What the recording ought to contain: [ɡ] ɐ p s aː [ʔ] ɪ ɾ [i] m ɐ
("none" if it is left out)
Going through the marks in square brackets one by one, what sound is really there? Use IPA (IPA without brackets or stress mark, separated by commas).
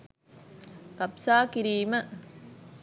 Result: k, k, iː